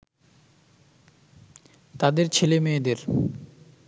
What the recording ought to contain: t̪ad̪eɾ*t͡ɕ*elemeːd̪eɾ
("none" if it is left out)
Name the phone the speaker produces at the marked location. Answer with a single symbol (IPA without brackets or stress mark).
t͡ɕʰ